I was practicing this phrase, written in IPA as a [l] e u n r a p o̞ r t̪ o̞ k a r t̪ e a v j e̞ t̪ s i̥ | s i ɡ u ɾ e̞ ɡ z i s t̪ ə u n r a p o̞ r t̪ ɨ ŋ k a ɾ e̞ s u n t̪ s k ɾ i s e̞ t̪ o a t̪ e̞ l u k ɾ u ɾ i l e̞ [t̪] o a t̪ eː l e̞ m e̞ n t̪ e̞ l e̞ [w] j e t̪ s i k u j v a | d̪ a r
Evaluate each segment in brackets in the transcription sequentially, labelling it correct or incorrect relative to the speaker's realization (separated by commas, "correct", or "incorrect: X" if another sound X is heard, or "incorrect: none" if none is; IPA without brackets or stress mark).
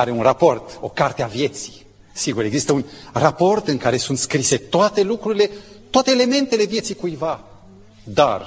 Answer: incorrect: ɾ, correct, incorrect: v